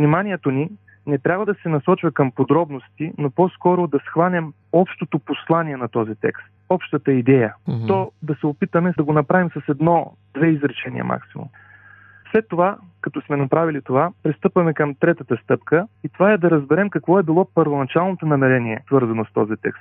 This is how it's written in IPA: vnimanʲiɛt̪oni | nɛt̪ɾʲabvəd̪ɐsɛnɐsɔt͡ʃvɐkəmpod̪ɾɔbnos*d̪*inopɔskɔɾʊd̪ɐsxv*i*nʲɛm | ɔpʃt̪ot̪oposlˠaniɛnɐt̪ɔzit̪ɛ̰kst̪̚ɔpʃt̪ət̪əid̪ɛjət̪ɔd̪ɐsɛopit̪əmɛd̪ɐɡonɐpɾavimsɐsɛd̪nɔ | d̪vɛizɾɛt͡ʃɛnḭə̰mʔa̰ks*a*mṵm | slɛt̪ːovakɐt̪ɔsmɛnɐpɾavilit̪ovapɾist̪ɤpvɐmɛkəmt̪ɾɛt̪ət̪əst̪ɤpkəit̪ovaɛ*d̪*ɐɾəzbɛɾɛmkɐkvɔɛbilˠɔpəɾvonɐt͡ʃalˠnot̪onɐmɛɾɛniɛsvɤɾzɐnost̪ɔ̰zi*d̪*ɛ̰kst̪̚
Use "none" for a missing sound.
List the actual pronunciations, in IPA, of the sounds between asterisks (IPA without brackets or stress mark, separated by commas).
t̪, a, i, d̪, t̪